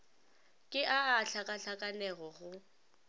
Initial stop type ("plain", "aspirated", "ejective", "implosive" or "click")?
ejective